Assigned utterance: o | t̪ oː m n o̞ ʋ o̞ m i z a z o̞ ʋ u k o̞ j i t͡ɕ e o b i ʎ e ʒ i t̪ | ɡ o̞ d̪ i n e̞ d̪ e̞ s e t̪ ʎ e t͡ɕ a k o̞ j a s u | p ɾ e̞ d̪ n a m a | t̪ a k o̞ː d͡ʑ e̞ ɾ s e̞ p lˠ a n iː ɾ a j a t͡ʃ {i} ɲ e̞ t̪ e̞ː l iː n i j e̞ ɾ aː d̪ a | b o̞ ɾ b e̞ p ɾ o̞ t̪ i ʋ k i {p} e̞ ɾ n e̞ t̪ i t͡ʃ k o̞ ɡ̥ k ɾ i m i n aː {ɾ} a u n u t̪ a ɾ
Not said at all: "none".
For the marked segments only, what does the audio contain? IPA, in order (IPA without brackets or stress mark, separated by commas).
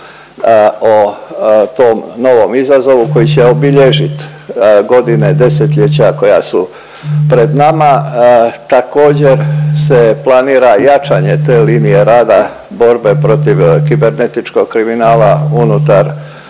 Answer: a, b, l